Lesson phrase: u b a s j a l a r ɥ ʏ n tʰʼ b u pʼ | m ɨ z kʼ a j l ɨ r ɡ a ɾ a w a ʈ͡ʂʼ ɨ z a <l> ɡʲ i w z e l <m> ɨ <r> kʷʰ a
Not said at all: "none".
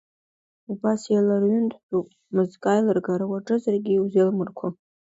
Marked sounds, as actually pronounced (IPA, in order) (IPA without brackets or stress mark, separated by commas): r, m, r